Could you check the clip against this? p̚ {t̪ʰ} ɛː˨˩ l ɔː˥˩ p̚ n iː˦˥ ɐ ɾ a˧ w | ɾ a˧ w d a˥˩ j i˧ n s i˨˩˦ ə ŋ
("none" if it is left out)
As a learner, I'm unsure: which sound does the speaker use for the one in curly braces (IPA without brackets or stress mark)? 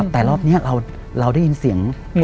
t̪